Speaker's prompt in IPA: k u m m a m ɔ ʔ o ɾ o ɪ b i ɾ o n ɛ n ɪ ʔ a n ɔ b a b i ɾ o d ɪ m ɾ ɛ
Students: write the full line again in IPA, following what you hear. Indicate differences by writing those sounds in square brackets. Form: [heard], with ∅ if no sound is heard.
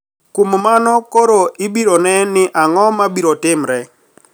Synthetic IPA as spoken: k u m m a [n] ɔ [k] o ɾ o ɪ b i ɾ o n ɛ n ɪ ʔ a [ŋ] ɔ [m] a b i ɾ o [t] ɪ m ɾ ɛ